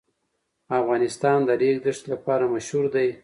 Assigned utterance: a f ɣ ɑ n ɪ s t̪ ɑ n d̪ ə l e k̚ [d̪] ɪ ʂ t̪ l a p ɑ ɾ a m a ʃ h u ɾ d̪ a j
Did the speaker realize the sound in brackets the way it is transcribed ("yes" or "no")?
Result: yes